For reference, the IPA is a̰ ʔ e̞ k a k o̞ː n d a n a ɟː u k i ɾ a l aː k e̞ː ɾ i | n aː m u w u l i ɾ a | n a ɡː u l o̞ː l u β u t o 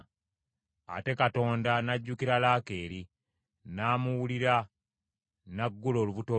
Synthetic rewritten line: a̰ t e̞ k a t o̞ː n d a n a ɟː u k i ɾ a l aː k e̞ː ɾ i | n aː m u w u l i ɾ a | n a ɡː u l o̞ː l u β u t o